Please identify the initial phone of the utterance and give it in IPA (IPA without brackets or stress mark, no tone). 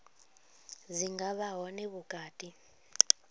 z